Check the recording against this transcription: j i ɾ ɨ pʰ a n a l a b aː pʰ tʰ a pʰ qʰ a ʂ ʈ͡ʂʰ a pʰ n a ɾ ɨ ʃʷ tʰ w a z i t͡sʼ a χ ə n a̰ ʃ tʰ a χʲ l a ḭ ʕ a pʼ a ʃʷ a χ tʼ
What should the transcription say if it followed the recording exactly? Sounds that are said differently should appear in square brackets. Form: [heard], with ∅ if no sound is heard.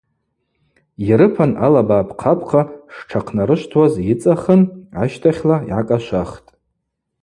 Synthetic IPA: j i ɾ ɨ pʰ a n a l a b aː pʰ [qʰ] a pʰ qʰ a ʂ ʈ͡ʂʰ a [qʰ] n a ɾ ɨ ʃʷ tʰ w a z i t͡sʼ a χ ə n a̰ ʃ tʰ a χʲ l a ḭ ʕ a [kʼ] a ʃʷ a χ tʼ